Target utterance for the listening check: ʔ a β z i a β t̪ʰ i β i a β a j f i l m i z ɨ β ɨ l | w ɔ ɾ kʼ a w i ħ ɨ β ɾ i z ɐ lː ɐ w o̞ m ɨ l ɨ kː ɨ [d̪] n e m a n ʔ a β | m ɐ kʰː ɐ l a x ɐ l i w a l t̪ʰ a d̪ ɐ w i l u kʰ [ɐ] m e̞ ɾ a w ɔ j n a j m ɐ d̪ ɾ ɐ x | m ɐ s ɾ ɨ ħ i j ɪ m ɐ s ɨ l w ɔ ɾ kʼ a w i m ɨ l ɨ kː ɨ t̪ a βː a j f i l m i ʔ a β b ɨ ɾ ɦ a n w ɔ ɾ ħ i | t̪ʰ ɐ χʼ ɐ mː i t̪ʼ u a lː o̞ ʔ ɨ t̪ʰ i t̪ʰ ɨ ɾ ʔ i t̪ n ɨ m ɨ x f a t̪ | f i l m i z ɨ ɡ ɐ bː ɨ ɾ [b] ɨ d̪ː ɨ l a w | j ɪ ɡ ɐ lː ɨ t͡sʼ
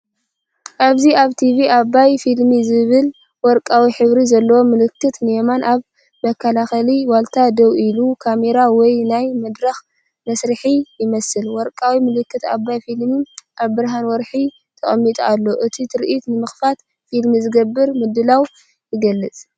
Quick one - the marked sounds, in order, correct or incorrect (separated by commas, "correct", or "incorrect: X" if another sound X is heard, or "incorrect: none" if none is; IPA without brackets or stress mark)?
incorrect: t̪, incorrect: a, incorrect: m